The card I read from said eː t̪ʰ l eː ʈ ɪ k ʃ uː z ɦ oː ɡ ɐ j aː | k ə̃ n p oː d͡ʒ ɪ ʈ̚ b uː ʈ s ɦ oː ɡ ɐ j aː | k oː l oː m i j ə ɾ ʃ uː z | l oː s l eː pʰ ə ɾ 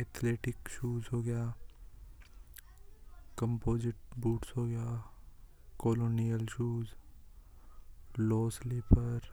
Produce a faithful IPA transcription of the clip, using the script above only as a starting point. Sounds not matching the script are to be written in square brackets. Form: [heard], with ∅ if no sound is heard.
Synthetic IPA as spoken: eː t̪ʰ l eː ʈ ɪ k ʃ uː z ɦ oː ɡ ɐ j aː | k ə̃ [m] p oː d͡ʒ ɪ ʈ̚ b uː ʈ s ɦ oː ɡ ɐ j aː | k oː l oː [n] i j ə [l] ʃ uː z | l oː s l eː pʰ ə ɾ